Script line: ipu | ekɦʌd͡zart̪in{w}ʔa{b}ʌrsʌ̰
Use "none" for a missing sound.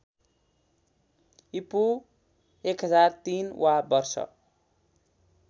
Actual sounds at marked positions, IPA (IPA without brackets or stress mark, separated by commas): w, b